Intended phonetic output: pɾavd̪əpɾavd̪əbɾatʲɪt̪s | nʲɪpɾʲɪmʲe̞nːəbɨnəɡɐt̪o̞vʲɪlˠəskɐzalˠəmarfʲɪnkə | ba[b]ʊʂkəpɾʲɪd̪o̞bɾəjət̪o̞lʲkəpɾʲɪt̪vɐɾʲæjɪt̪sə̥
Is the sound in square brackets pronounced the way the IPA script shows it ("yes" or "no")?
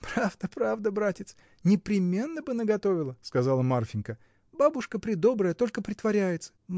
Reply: yes